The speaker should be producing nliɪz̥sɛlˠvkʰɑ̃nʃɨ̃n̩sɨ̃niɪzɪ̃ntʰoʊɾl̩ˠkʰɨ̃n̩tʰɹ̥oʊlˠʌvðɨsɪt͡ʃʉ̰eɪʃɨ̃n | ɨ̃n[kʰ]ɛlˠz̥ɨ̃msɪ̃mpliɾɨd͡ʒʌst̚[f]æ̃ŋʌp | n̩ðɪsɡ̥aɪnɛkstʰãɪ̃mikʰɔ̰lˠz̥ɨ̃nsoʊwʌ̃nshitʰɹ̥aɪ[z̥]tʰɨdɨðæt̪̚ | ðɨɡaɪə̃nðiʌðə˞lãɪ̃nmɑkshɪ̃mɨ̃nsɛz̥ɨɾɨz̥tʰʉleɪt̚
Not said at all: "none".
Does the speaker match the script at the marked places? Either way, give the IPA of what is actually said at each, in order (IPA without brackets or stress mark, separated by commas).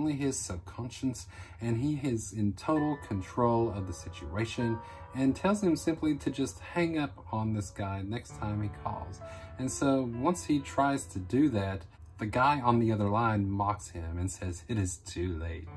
tʰ, h, z̥